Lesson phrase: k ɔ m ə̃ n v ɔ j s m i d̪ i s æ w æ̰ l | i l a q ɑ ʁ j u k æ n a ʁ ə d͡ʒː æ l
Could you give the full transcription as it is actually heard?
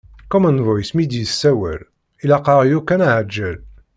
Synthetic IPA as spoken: k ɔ m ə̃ n v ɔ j s m i d̪ i s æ w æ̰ l | i l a q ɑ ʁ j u k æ n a ʕ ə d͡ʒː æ l